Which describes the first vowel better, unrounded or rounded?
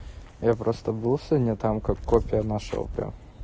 unrounded